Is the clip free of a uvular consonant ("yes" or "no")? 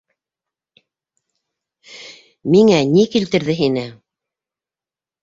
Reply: yes